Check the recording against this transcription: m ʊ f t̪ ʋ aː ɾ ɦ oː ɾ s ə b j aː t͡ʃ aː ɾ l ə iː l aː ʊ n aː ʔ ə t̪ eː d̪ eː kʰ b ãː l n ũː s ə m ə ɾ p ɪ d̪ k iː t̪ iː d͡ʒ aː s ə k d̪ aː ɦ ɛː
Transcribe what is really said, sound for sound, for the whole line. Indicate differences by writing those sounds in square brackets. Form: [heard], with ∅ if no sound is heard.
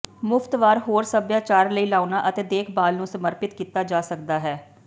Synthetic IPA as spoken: m ʊ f t̪ ʋ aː ɾ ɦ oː ɾ s ə b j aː t͡ʃ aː ɾ l ə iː l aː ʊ n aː ʔ ə t̪ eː d̪ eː kʰ b [aː] l n ũː s ə m ə ɾ p ɪ [t̪] k iː t̪ [aː] d͡ʒ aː s ə k d̪ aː ɦ ɛː